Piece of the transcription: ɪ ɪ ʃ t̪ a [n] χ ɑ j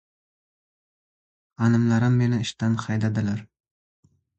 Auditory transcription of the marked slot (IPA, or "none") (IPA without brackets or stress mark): n